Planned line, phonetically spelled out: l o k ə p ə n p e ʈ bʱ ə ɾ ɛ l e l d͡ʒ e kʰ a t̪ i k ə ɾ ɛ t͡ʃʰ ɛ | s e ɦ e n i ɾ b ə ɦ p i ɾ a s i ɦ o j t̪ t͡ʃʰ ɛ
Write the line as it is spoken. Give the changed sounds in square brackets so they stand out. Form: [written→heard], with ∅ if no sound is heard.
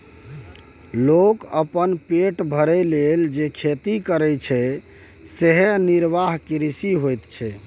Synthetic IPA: l o k ə p ə n p e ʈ bʱ ə ɾ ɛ l e l d͡ʒ e kʰ [a→e] t̪ i k ə ɾ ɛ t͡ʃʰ ɛ | s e ɦ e n i ɾ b [ə→a] ɦ [p→k] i ɾ [a→i] s i ɦ o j t̪ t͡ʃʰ ɛ

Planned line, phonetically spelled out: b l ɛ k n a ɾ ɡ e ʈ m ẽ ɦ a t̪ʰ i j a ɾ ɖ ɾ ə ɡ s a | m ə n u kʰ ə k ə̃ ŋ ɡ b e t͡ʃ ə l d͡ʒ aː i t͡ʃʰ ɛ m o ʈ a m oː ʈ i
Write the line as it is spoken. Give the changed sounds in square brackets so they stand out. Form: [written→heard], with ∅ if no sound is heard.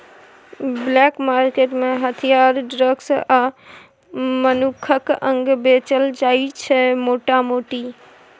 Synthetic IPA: b l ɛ k [n→m] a ɾ [ɡ→k] e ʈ m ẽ ɦ [a→ə] t̪ʰ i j a ɾ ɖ ɾ ə ɡ s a | m ə n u kʰ ə k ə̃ ŋ ɡ b e t͡ʃ ə l d͡ʒ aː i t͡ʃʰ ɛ m o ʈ a m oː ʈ i

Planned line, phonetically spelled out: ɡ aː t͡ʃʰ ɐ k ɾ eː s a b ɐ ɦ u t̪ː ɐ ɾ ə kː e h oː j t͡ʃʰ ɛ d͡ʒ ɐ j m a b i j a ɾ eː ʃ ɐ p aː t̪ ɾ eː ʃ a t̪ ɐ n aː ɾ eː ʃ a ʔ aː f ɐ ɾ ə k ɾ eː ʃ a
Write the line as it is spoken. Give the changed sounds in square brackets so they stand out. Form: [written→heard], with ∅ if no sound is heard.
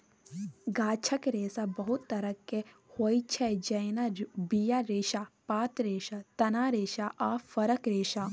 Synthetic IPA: ɡ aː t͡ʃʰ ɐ k ɾ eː s a b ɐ ɦ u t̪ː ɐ ɾ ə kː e h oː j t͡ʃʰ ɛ d͡ʒ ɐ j [m→n] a b i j a ɾ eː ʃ [ɐ→a] p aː t̪ ɾ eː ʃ a t̪ ɐ n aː ɾ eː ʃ a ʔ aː f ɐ ɾ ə k ɾ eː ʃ a

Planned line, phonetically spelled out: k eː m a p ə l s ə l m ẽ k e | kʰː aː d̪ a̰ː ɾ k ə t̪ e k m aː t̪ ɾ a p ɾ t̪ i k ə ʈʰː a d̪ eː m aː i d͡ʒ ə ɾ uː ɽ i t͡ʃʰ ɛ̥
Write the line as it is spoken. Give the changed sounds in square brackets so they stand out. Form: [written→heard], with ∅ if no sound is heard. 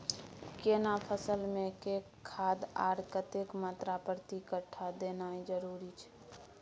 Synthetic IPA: k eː [m→n] a [p→pʰ] ə [l→∅] s ə l m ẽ k e | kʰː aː d̪ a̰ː ɾ k ə t̪ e k m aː t̪ ɾ a p ɾ t̪ i k ə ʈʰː a d̪ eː [m→n] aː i d͡ʒ ə ɾ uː [ɽ→ɾ] i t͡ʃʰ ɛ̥

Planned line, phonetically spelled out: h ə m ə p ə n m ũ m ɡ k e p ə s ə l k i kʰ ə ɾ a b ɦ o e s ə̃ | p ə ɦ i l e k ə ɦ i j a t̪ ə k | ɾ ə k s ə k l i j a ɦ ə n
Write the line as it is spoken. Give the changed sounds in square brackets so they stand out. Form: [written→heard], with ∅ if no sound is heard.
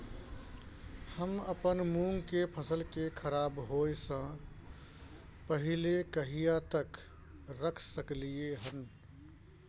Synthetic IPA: h ə m ə p ə n m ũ [m→ŋ] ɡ k e [p→pʰ] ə s ə l k [i→e] kʰ ə ɾ a b ɦ o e s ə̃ | p ə ɦ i l e k ə ɦ i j a t̪ ə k | ɾ ə [k→kʰ] s ə k l i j [a→e] ɦ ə n

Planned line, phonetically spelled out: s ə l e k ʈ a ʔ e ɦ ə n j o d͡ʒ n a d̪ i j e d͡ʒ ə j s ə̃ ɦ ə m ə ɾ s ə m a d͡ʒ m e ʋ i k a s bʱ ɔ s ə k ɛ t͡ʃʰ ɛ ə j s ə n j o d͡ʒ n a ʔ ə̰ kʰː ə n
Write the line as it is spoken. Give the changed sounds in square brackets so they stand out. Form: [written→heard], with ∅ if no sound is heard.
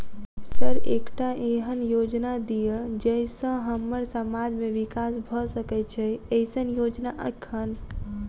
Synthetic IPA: s ə [l→ɾ] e k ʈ a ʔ e ɦ ə n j o d͡ʒ n a d̪ i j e d͡ʒ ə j s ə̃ ɦ ə m ə ɾ s ə m a d͡ʒ m e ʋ i k a s bʱ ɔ s ə k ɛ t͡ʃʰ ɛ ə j s ə n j o d͡ʒ n a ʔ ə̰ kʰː ə n

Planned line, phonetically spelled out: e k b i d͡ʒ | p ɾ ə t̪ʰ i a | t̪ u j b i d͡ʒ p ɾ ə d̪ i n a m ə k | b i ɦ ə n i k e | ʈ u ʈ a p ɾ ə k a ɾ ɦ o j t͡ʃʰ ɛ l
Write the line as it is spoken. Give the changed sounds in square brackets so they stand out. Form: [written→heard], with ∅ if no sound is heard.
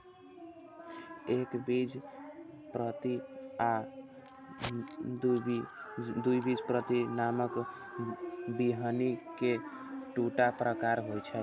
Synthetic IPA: e k b i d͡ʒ | p ɾ ə [t̪ʰ→t̪] i a | [t̪→d̪] u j b i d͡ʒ p ɾ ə [d̪→t̪] i n a m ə k | b i ɦ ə n i k e | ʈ u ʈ a p ɾ ə k a ɾ ɦ o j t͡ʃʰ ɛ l

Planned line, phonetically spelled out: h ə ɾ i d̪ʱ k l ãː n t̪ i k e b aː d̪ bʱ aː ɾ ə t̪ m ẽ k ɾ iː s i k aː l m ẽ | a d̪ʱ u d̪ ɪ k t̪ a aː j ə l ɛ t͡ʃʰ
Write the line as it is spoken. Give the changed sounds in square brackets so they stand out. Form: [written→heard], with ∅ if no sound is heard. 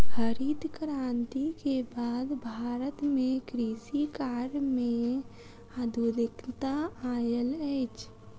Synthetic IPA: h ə ɾ i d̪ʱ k [l→ɾ] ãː n t̪ i k e b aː d̪ bʱ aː ɾ ə t̪ m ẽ k ɾ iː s i k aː [l→ɾ] m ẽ | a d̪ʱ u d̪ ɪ k t̪ a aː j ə l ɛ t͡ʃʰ

